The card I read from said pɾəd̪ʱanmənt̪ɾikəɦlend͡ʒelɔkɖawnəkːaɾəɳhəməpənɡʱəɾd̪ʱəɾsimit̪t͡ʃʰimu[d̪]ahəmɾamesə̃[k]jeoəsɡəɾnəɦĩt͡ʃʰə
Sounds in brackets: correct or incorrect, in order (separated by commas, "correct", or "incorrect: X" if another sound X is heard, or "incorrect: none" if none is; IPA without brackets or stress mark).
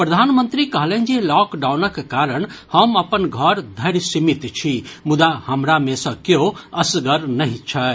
correct, correct